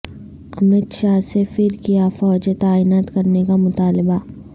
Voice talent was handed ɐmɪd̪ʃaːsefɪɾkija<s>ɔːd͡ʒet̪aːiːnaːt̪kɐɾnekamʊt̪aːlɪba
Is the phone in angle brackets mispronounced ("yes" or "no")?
yes